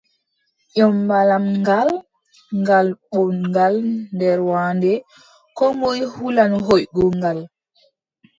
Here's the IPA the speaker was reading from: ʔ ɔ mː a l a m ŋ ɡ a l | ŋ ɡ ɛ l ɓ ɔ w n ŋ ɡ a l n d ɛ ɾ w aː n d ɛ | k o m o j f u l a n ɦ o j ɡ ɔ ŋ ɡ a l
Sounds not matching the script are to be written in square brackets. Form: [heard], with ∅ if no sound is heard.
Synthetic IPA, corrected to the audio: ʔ ɔ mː a l a m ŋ ɡ a l | ŋ ɡ [a] l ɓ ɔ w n ŋ ɡ a l n d ɛ ɾ w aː n d ɛ | k [ɔ] m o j [h] u l a n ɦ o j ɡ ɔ ŋ ɡ a l